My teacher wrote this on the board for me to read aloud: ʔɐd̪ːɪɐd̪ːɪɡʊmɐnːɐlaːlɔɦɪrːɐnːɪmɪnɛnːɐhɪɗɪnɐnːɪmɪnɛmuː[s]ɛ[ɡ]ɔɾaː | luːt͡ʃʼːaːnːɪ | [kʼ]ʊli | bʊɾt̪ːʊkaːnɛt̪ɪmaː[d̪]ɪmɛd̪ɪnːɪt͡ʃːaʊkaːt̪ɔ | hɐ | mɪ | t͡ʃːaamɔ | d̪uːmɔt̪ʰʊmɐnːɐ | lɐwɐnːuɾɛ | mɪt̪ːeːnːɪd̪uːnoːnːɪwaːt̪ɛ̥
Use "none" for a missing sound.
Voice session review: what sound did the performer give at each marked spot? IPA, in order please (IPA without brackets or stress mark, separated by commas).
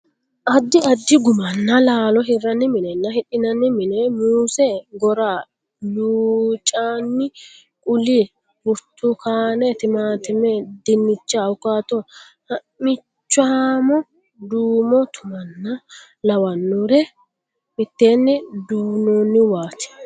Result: s, ɡ, kʼ, t̪